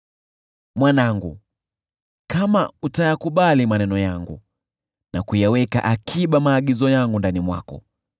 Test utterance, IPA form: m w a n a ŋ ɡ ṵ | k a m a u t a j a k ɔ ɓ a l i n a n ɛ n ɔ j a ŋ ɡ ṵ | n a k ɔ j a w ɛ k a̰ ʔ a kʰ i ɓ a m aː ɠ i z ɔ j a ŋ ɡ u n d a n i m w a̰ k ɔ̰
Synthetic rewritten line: m w a n a ŋ ɡ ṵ | k a m a u t a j a k u ɓ a l i m a n ɛ n ɔ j a ŋ ɡ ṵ | n a k u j a w ɛ k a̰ ʔ a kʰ i ɓ a m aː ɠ i z ɔ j a ŋ ɡ u n d a n i m w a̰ k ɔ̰